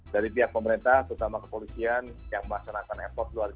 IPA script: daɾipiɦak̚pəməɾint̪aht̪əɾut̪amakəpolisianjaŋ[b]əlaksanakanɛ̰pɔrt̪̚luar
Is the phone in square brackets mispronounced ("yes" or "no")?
yes